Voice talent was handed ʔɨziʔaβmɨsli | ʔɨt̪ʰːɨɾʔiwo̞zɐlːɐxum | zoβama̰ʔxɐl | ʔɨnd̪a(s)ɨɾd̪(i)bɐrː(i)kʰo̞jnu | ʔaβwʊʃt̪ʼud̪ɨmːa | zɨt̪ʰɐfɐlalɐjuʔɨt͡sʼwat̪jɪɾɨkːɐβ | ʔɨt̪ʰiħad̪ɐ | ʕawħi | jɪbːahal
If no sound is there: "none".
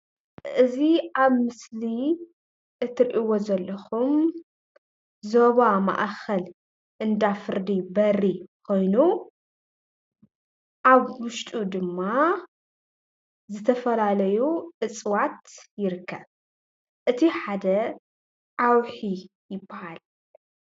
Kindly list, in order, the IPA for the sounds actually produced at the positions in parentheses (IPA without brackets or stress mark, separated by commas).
f, i, i